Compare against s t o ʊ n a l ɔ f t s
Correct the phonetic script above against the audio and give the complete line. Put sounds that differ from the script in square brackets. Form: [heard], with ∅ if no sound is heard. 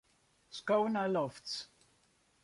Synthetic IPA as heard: s [k] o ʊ n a l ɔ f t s